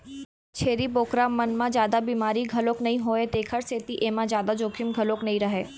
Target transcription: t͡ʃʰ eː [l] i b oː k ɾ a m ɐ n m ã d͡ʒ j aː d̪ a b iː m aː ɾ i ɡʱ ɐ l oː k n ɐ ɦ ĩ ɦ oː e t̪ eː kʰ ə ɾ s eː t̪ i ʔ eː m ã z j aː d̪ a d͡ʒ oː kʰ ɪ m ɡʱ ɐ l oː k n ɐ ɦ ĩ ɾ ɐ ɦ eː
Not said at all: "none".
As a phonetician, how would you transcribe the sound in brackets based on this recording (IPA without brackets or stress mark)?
ɾ